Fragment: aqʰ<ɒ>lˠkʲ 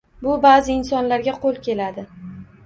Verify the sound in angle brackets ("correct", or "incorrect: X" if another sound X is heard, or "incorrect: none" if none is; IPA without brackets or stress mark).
incorrect: o